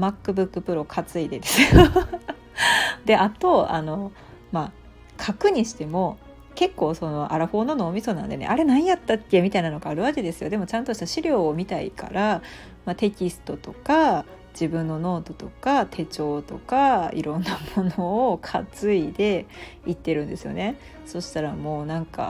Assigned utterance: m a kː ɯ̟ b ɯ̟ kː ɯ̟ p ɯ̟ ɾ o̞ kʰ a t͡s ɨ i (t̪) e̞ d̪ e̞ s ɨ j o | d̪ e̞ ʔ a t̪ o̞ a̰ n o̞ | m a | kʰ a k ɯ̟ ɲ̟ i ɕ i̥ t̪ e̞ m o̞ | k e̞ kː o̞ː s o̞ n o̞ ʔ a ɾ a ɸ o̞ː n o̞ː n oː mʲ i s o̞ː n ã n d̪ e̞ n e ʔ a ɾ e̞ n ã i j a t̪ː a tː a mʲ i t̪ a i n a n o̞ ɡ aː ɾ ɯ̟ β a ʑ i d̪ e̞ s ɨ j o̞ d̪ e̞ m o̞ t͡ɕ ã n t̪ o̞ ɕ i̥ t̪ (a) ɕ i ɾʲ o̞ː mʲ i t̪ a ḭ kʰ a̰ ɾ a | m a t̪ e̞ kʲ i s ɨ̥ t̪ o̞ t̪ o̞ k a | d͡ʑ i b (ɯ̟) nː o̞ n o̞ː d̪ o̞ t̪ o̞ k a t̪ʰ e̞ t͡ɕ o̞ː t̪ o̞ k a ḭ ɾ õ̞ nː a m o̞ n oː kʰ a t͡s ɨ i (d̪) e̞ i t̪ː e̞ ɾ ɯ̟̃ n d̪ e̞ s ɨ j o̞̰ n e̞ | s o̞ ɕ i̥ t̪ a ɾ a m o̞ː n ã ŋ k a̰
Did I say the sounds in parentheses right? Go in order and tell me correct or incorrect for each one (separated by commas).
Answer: incorrect, correct, incorrect, correct